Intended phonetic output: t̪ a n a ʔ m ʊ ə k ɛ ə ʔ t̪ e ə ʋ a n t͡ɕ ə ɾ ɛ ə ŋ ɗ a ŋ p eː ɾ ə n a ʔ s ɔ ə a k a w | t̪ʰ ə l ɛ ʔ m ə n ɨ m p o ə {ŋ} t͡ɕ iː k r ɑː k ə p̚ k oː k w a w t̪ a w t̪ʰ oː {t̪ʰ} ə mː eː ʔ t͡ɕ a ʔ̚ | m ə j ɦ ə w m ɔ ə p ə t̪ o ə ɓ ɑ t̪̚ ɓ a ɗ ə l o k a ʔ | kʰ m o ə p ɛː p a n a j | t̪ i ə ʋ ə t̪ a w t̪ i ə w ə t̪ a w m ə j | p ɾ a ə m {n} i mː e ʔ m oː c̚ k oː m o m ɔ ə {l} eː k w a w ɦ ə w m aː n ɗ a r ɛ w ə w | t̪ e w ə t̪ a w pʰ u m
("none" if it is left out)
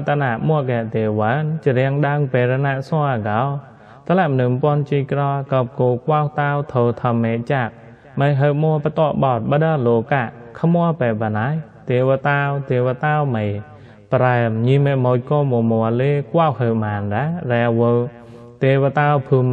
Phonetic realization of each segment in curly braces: n, t̪ʰ, ɲ, l

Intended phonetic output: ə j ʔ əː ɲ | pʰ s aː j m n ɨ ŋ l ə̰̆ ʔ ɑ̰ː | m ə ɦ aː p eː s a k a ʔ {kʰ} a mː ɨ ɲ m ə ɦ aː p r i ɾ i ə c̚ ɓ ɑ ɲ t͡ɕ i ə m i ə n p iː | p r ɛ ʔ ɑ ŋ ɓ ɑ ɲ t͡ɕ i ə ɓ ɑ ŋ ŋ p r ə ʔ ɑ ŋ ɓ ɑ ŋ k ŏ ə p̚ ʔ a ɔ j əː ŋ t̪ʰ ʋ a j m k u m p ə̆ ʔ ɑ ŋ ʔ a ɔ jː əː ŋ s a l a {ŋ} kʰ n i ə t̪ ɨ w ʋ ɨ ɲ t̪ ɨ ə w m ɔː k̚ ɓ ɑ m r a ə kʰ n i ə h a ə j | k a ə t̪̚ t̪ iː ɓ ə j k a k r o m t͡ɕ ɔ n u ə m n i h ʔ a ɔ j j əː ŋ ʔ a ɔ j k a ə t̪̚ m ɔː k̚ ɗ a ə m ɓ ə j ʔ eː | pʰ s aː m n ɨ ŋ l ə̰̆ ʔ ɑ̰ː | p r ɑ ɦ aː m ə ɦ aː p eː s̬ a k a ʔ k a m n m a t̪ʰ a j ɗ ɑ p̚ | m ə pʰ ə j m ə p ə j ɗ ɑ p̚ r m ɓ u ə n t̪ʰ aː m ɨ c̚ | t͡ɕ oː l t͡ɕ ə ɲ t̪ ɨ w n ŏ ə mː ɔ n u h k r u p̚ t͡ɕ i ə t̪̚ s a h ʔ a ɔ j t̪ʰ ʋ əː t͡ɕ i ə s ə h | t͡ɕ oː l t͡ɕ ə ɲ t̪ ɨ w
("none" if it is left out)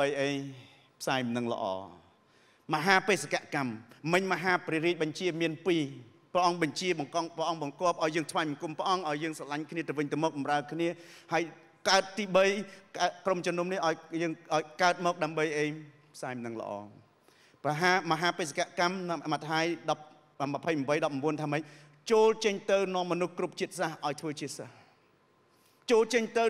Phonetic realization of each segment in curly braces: k, ɲ

